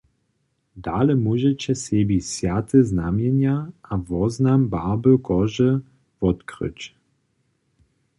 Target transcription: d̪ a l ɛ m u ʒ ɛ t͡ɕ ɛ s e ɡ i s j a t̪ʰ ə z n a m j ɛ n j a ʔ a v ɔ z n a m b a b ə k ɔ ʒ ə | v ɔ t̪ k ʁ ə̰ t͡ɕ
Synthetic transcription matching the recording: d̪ a l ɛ m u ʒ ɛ t͡ɕ ɛ s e b i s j a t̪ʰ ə z n a m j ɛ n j a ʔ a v ɔ z n a m b a b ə k ɔ ʒ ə | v ɔ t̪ k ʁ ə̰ t͡ɕ